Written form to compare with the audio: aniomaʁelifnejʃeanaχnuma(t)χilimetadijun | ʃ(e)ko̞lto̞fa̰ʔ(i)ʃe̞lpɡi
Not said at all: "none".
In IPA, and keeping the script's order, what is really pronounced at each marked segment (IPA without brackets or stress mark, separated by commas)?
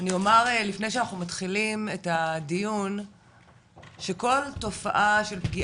t, e, a